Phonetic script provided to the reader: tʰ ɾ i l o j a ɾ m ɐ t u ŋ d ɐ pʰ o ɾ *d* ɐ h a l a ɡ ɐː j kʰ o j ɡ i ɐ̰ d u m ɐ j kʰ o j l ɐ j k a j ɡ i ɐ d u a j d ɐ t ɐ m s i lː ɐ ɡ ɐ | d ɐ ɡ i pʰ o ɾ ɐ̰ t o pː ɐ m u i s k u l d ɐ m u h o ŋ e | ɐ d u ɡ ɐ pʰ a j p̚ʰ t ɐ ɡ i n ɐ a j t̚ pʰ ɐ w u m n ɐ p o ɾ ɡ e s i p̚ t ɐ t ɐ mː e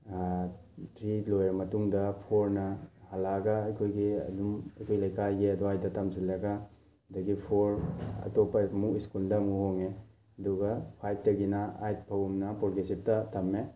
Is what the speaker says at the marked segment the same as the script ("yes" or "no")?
no